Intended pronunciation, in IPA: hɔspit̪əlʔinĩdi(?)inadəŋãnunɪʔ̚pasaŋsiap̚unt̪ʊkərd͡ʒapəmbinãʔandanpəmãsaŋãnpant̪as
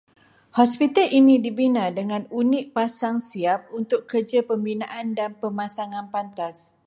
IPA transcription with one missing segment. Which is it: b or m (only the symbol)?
b